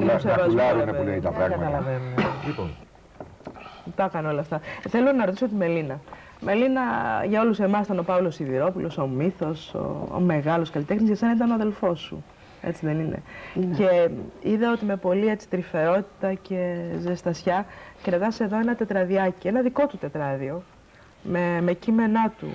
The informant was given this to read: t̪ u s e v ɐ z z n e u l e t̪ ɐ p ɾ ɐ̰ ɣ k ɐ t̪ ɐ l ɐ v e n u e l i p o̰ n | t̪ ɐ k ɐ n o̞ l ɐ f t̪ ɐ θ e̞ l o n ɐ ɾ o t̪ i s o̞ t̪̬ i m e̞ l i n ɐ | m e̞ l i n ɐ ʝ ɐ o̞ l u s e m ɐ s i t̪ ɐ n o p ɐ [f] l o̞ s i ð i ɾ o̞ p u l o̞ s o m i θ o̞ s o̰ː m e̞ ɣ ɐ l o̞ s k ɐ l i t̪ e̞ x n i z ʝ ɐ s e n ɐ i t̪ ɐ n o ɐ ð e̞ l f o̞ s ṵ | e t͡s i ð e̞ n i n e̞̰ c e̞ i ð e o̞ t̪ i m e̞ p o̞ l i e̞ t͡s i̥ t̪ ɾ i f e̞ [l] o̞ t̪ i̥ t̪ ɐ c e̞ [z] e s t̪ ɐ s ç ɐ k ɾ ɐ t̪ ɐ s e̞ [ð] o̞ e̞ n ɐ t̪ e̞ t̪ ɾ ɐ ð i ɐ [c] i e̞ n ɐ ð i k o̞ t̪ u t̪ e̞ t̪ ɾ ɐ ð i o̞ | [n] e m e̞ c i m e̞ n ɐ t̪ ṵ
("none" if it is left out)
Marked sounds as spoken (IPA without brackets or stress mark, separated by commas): v, ɾ, z, ð, c, m